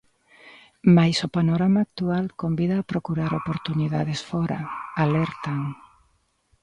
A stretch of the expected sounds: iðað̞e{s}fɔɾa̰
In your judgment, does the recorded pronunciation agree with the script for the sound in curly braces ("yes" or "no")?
yes